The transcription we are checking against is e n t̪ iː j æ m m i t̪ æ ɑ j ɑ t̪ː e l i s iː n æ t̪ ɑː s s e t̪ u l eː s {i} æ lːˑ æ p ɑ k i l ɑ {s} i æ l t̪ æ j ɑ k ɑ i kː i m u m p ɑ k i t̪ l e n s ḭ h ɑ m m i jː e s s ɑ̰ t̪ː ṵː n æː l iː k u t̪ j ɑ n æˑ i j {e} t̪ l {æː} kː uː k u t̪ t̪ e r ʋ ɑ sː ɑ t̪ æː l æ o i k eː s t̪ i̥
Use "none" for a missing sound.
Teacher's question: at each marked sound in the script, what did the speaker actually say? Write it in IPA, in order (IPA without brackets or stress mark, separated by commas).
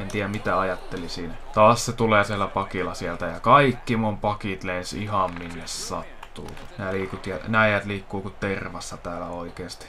i, s, æ, iː